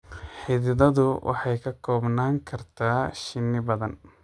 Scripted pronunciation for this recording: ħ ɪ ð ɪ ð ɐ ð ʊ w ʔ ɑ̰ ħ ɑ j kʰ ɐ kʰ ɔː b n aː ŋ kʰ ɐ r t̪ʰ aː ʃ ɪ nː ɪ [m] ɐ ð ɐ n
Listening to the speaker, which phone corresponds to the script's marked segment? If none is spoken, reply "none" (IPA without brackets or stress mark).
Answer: b